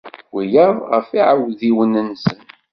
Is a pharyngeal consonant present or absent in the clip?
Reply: present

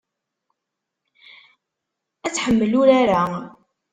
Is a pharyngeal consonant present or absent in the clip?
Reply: present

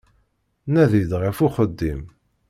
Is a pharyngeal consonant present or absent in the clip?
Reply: absent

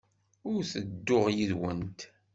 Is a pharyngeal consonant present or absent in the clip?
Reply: absent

